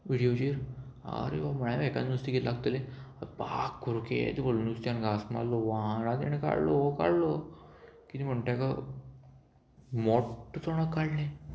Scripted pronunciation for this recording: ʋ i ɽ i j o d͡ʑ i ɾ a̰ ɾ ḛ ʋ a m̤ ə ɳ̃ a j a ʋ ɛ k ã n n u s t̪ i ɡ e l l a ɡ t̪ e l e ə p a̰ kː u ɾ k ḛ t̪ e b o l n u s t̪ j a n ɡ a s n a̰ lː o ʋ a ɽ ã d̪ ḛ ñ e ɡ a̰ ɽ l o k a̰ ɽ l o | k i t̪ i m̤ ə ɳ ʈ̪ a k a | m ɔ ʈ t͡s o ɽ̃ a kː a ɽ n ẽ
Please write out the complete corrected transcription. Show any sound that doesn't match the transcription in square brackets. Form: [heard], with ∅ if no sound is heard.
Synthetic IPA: ʋ i ɽ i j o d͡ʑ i ɾ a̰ ɾ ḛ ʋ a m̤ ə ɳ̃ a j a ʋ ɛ k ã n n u s t̪ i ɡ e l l a ɡ t̪ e l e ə p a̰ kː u ɾ k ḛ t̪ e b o l n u s t̪ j a n ɡ a s [m] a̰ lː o ʋ a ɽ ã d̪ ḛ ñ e [k] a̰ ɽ l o k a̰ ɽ l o | k i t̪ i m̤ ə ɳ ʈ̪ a k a | m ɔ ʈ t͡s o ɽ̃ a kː a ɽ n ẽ